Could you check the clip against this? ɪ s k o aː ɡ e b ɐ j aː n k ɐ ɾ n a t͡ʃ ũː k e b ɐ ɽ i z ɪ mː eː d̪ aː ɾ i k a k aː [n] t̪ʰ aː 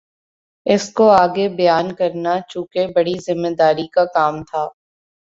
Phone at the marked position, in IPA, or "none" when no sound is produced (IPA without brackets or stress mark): m